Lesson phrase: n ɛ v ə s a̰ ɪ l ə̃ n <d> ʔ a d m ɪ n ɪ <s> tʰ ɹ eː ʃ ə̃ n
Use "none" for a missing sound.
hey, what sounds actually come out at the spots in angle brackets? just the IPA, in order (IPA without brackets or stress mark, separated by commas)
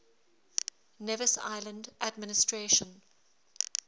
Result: d, s